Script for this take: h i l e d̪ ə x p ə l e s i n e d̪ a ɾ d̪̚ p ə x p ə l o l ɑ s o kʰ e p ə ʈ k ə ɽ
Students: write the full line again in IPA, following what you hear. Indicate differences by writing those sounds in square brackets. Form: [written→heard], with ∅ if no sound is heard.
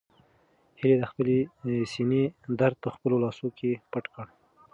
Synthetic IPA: h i l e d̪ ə x p ə l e s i n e d̪ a ɾ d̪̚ p ə x p ə l o l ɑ s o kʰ e p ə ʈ k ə ɽ